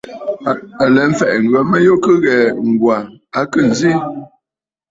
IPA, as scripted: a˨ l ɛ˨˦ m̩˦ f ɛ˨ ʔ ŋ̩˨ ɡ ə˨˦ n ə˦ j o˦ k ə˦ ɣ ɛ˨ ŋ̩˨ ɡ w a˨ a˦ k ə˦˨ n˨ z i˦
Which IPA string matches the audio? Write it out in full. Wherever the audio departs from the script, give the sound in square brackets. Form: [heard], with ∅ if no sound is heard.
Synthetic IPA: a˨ l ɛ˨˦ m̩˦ f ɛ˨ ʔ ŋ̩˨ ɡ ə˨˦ [m] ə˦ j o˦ k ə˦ ɣ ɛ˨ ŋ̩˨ ɡ w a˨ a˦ k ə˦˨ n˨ z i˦